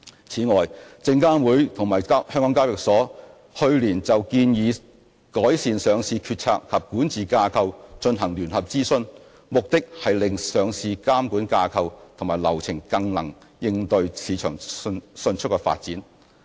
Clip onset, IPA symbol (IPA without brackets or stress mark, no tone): t͡sʰ